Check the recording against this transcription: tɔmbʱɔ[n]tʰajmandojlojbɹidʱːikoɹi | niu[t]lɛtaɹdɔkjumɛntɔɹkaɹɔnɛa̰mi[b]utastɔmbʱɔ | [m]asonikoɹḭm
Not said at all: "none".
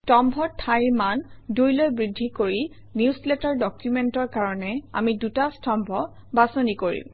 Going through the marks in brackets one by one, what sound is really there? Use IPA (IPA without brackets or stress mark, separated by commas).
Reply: none, s, d, b